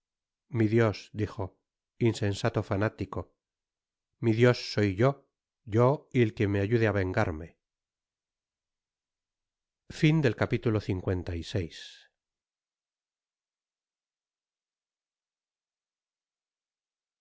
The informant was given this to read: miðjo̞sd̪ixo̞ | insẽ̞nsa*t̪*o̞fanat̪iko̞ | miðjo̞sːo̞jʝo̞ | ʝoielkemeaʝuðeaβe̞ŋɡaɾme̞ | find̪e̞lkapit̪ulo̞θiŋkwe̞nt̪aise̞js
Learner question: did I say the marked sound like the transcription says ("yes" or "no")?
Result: yes